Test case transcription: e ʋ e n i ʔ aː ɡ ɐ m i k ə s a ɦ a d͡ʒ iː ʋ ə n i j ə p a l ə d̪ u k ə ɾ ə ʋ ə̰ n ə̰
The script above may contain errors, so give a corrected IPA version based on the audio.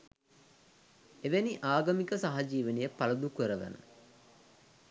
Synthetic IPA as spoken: e ʋ e n i ʔ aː ɡ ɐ m i k ə s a ɦ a d͡ʒ iː ʋ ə n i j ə p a l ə d̪ u k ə ɾ ə ʋ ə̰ n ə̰